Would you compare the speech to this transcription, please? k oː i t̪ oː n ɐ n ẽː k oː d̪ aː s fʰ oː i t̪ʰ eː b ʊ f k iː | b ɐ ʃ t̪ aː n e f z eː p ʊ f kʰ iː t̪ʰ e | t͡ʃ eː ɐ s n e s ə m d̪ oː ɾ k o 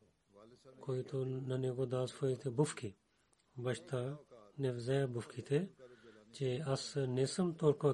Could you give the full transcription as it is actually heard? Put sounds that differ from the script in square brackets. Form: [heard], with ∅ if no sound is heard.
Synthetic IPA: k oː i t̪ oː n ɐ n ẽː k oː d̪ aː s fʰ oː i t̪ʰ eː b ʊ f k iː | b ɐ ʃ t̪ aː n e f z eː [b] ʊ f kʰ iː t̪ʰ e | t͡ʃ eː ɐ s n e s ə m [t̪] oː ɾ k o